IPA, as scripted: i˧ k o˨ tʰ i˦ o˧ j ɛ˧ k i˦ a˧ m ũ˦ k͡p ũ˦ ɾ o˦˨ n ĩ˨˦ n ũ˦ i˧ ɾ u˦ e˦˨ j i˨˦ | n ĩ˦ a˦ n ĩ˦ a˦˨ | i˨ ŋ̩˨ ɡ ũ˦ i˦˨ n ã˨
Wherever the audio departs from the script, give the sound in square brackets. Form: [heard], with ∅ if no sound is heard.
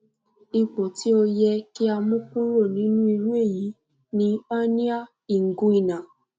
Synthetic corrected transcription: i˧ [k͡p] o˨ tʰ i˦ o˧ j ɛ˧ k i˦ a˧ m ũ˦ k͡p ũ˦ ɾ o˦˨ n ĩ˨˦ n ũ˦ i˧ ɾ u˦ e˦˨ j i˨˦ | n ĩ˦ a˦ n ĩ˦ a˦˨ | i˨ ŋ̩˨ ɡ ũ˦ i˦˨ n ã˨